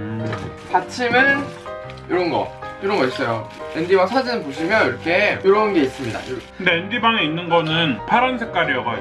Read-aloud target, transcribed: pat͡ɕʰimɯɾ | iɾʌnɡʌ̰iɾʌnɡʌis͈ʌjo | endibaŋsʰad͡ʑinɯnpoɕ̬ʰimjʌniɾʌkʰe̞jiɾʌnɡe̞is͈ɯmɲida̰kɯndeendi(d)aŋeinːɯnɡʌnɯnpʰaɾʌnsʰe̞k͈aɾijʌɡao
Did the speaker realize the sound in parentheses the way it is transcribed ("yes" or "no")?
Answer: no